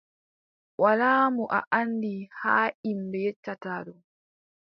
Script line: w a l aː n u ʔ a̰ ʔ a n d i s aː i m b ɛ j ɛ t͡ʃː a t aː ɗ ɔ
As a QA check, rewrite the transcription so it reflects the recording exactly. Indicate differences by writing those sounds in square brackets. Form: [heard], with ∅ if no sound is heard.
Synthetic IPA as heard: w a l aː [m] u ʔ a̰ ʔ a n d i [h] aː i m b ɛ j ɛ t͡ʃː a t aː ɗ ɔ